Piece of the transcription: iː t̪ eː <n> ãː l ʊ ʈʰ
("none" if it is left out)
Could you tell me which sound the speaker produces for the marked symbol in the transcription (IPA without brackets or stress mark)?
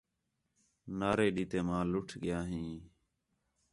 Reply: m